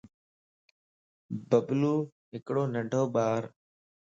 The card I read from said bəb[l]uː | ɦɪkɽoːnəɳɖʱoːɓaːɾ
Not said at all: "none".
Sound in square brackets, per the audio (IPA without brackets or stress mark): l